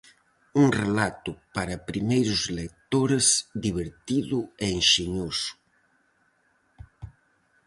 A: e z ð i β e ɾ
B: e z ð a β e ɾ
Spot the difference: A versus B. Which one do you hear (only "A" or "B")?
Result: A